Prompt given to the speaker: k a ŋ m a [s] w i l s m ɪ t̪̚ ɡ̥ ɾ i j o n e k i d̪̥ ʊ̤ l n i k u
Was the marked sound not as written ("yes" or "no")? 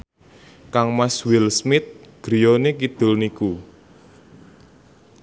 no